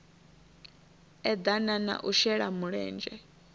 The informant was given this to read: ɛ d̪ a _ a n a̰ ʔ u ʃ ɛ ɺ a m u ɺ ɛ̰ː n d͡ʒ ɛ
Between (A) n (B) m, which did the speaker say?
A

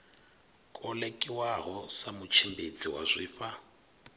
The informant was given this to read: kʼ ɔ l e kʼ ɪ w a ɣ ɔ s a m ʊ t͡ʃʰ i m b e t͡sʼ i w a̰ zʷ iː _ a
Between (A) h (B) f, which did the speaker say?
B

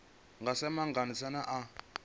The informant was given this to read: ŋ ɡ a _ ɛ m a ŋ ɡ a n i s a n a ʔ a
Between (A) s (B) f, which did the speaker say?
A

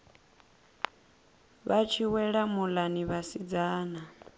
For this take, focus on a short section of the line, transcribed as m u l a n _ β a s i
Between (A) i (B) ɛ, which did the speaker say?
A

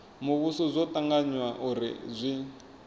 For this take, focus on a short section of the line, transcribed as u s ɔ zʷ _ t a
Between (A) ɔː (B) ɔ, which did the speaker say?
B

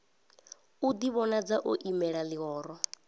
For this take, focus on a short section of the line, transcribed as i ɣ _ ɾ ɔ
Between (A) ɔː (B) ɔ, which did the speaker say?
A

